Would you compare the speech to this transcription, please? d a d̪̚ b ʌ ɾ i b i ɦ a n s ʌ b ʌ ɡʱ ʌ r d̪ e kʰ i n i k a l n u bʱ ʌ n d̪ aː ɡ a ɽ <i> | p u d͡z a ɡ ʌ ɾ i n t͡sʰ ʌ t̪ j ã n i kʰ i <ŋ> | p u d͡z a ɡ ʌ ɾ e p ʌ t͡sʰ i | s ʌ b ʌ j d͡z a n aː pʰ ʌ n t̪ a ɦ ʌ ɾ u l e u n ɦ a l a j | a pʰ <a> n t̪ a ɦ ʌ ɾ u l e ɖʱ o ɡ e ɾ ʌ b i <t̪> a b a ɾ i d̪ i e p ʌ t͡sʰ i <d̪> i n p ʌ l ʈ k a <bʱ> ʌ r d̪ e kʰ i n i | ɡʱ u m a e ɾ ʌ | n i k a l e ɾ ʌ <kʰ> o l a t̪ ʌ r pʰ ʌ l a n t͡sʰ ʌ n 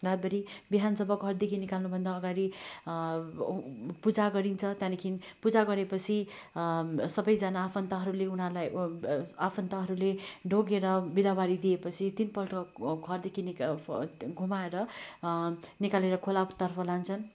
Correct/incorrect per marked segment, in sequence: correct, incorrect: n, incorrect: ʌ, incorrect: d̪, incorrect: t̪, incorrect: ɡʱ, correct

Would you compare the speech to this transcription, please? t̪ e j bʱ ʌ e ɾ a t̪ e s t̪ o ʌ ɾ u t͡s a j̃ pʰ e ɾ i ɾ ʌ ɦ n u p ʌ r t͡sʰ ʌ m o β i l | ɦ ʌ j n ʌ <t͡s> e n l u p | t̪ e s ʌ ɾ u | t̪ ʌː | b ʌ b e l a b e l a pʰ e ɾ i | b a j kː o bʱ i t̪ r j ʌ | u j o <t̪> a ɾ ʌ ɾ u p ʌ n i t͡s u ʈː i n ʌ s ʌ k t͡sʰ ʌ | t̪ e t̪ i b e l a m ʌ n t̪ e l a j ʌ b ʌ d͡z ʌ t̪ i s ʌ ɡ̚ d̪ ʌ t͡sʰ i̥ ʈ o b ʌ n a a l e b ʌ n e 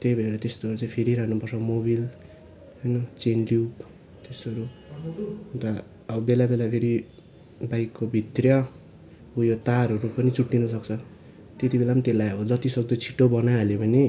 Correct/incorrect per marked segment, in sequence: correct, correct

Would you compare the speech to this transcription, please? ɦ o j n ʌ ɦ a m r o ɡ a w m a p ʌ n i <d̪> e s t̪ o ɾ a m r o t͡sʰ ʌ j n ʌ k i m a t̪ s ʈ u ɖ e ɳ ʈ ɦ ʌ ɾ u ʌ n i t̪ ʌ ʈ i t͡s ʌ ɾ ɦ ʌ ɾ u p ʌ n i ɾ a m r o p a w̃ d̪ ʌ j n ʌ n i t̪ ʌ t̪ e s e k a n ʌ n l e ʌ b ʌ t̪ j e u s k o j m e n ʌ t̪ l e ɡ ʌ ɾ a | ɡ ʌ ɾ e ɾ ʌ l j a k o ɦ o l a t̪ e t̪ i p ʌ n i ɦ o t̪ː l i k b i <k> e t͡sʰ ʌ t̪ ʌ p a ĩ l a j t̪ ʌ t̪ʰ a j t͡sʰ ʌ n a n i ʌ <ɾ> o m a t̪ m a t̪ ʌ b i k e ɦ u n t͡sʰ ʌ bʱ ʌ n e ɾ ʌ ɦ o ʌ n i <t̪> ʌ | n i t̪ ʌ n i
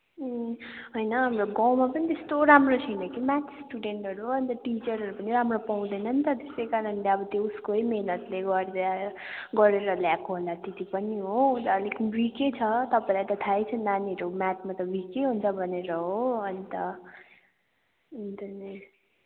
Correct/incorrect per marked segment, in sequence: incorrect: t̪, correct, correct, correct

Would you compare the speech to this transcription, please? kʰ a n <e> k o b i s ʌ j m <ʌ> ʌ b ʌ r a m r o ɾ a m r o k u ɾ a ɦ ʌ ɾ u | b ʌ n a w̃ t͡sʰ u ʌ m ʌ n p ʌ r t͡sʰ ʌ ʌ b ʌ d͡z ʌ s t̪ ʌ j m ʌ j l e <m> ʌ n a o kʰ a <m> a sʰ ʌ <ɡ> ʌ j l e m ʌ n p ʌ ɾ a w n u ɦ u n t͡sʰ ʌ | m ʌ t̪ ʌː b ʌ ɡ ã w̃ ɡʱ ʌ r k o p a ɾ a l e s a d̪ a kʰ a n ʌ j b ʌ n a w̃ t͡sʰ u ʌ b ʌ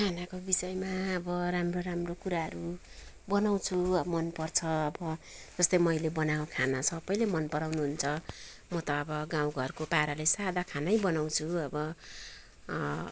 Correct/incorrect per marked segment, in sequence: incorrect: a, incorrect: a, incorrect: b, incorrect: n, incorrect: b

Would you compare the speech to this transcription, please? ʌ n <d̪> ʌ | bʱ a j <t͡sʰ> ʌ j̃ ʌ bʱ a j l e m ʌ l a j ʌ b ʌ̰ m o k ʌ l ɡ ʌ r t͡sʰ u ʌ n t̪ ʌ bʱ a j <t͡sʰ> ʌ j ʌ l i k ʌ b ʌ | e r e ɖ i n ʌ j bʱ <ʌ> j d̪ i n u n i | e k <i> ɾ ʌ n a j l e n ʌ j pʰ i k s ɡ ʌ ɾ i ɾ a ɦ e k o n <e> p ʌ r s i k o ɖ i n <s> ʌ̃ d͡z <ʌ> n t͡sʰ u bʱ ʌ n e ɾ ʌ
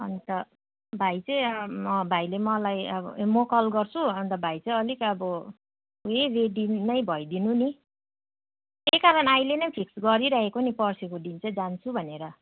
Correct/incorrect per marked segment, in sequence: incorrect: t̪, incorrect: t͡s, incorrect: t͡s, correct, incorrect: a, incorrect: i, incorrect: t͡s, incorrect: a

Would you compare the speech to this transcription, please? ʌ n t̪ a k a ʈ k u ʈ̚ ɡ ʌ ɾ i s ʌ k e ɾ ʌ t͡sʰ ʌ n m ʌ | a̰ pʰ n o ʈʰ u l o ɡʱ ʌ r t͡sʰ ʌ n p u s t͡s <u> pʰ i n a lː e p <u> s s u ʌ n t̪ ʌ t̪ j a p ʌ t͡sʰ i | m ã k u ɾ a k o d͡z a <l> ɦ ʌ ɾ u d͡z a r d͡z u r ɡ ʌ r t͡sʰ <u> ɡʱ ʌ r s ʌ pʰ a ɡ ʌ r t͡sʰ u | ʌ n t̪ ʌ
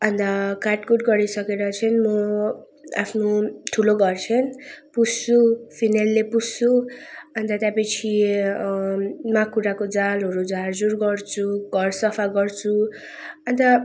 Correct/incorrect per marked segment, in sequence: correct, correct, correct, correct

